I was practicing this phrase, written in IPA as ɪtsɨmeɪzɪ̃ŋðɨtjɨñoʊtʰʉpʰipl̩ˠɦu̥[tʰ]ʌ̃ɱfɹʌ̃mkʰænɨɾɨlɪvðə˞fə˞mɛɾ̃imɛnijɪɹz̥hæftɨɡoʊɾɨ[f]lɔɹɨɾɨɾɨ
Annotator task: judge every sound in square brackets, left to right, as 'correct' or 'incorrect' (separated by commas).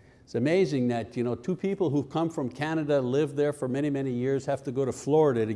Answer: incorrect, correct